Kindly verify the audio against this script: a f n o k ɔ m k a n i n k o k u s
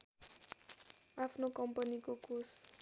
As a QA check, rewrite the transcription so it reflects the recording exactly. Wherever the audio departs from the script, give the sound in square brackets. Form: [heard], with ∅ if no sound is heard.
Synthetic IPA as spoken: a f n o k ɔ m [p] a n i [∅] k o k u s